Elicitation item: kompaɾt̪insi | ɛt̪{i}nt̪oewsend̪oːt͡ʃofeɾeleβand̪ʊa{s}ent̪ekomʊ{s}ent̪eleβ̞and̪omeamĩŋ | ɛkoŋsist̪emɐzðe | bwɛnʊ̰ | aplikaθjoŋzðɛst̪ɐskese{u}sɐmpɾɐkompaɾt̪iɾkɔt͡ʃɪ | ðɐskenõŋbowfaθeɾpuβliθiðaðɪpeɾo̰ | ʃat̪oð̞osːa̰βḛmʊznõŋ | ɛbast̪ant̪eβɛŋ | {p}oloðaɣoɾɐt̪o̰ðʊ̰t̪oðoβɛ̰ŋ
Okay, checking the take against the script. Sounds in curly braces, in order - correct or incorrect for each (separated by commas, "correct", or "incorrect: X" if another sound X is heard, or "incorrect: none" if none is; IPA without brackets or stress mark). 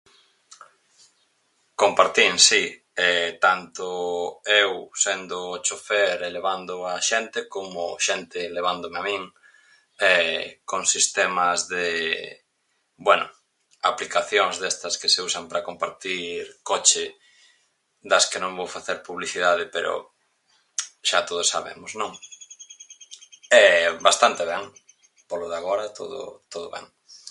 incorrect: a, incorrect: ʃ, incorrect: ʃ, correct, correct